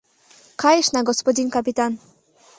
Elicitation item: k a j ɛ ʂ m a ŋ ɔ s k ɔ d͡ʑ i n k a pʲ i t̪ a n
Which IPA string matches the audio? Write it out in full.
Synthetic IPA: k a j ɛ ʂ n a ɡ ɔ s p ɔ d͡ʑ i n k a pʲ i t̪ a n

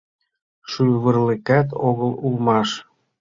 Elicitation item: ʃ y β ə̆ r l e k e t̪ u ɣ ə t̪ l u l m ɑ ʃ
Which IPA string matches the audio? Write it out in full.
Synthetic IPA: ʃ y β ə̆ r l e k æ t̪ o ɣ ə l u l m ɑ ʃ

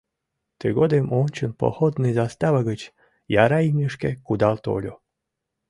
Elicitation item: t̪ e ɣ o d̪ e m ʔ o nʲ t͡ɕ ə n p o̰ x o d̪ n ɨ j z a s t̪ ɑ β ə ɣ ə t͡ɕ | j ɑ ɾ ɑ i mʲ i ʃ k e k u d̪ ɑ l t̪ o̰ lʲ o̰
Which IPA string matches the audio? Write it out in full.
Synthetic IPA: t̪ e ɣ o d̪ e m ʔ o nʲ t͡ɕ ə n p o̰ x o d̪ n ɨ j z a s t̪ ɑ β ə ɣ ə t͡ɕ | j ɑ ɾ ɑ i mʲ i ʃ k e k u d̪ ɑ l t̪ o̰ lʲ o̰

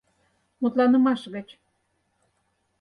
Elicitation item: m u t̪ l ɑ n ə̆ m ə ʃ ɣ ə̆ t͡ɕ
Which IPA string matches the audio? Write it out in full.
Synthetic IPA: m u t̪ l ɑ n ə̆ m ɑ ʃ ɣ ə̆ t͡ɕ

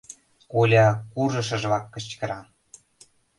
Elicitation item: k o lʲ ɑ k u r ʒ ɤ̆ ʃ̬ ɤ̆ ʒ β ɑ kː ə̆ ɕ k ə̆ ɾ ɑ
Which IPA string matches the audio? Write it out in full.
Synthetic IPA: k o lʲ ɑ k u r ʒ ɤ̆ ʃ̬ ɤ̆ ʒ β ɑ kː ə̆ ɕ k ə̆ ɾ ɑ

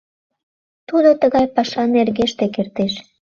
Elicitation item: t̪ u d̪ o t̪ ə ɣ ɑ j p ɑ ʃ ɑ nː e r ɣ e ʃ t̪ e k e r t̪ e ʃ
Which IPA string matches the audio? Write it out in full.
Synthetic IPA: t̪ u d̪ o t̪ ə ɣ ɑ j p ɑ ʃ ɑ n e r ɣ e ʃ t̪ e k e r t̪ e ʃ

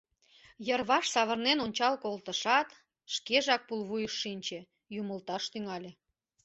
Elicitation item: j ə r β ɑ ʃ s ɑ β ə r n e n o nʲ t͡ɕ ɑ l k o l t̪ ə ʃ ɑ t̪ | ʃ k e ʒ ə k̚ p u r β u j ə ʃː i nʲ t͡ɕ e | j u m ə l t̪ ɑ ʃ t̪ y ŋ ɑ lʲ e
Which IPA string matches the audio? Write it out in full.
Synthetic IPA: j ə r β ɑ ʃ s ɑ β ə r n e n o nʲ t͡ɕ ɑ l k o l t̪ ə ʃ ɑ t̪ | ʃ k e ʒ ɑ k̚ p u l β u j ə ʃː i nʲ t͡ɕ e | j u m ə l t̪ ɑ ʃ t̪ y ŋ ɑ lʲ e

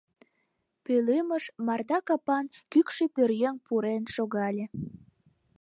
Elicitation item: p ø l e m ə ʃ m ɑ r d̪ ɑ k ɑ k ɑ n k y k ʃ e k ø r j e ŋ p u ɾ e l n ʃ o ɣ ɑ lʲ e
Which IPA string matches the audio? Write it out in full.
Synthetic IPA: p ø l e m ə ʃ m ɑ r d̪ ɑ k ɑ p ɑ n k y k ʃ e p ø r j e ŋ p u ɾ e n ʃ o ɣ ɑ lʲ e

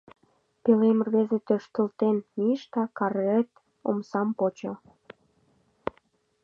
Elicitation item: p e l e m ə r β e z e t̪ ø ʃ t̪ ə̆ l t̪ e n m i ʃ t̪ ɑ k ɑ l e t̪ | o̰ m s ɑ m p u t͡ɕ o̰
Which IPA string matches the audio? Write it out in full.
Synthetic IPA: p e l e m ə r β e z e t̪ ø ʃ t̪ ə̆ l t̪ e n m i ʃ t̪ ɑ k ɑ r e t̪ | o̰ m s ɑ m p o t͡ɕ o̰

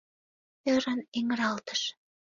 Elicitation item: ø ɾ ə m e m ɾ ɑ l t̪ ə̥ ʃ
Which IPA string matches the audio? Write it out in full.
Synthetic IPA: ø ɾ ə n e ŋ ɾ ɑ l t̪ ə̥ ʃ

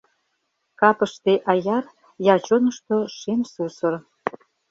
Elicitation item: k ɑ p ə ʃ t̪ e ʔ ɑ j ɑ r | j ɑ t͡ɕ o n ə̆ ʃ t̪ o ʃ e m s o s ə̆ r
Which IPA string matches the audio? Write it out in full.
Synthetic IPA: k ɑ p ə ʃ t̪ e ʔ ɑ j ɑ r | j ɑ t͡ɕ o n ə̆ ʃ t̪ o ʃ e m s u s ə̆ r

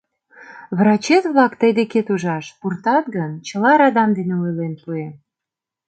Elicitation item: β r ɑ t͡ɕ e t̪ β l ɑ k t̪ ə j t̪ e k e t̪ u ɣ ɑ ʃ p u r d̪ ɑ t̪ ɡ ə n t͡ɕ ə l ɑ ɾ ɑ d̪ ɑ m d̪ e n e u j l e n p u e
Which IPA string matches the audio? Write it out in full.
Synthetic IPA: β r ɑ t͡ɕ e t̪ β l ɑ k t̪ ə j d̪ e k e t̪ u ʒ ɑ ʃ p u r t̪ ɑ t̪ ɡ ə n t͡ɕ ə l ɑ ɾ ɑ d̪ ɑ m d̪ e n e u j l e n p u e

